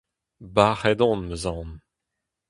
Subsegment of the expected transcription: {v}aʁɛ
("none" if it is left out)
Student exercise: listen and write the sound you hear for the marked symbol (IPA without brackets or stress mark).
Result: b